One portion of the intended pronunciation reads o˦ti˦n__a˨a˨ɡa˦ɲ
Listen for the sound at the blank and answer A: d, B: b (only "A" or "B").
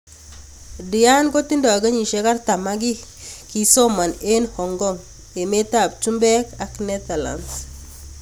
A